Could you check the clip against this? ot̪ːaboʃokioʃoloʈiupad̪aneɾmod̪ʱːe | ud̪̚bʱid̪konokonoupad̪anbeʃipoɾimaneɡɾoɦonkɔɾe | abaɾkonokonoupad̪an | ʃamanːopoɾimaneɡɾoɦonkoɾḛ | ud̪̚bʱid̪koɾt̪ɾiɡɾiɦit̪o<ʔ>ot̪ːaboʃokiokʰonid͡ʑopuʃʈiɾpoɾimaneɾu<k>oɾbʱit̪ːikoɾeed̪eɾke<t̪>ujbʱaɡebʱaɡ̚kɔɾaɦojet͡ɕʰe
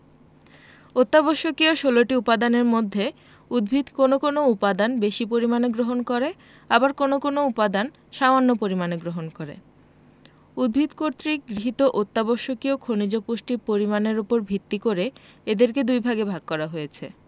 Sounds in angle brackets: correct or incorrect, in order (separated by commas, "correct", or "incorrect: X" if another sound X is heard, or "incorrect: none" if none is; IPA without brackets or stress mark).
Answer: correct, incorrect: p, incorrect: d̪